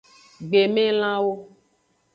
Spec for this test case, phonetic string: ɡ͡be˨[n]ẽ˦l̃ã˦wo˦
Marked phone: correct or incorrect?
incorrect